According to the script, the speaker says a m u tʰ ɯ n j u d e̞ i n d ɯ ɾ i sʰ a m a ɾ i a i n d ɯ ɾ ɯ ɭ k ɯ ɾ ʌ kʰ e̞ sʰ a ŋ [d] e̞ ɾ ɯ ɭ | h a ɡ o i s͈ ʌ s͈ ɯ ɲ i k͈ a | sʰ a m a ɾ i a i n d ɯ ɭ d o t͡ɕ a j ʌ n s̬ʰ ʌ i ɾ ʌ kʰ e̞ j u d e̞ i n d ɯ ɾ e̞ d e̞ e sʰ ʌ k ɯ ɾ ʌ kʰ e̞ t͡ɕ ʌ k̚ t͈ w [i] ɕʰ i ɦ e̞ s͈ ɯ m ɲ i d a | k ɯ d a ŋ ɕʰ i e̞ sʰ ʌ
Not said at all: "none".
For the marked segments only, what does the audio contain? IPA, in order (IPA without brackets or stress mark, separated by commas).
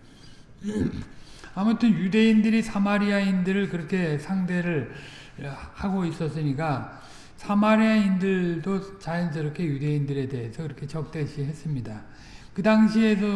d, e